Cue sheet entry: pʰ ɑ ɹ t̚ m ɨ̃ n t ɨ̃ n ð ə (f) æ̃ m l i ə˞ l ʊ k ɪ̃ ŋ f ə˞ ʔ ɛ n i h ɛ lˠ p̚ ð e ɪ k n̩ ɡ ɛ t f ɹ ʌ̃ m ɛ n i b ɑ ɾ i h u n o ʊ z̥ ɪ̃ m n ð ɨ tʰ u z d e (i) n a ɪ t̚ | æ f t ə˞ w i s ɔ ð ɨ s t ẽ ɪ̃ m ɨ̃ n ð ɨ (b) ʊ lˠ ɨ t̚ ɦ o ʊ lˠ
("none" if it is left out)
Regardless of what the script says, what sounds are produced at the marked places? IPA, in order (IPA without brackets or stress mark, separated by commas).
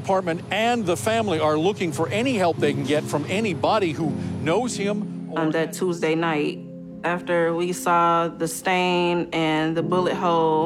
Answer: f, ɪ, b